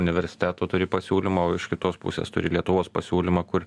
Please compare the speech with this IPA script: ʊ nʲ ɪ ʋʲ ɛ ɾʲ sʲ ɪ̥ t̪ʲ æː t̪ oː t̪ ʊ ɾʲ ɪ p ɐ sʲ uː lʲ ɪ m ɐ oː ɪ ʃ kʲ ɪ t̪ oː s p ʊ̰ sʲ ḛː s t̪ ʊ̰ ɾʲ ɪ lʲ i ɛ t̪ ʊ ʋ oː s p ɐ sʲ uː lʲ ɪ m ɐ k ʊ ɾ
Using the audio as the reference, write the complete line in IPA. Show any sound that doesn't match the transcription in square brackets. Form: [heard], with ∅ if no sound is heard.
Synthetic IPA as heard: ʊ nʲ ɪ ʋʲ ɛ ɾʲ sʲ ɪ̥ t̪ʲ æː t̪ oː t̪ ʊ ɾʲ ɪ p ɐ sʲ uː lʲ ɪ m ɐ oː ɪ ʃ kʲ ɪ t̪ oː s p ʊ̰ sʲ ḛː s t̪ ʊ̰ ɾʲ ɪ lʲ i ɛ t̪ ʊ ʋ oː s p ɐ sʲ uː lʲ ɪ m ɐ k ʊ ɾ